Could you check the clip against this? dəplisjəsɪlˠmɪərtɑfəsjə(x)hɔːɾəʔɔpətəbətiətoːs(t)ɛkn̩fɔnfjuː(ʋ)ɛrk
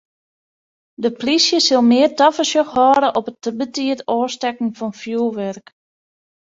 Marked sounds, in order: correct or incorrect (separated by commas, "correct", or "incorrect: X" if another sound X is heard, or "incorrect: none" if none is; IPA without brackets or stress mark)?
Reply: correct, correct, correct